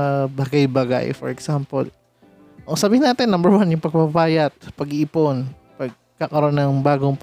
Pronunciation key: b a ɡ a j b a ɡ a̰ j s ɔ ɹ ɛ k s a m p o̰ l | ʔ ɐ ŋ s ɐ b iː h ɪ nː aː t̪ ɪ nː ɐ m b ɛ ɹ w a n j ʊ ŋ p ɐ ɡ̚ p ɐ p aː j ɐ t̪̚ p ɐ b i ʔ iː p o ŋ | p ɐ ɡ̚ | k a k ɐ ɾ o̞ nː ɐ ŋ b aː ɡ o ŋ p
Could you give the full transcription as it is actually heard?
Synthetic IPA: b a ɡ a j b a ɡ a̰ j f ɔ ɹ ɛ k s a m p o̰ l | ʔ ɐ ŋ s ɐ b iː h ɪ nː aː t̪ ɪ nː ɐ m b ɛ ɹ w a n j ʊ ŋ p ɐ ɡ̚ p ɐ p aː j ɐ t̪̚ p ɐ ɡ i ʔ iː p o n | p ɐ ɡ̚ | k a k ɐ ɾ o̞ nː ɐ ŋ b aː ɡ o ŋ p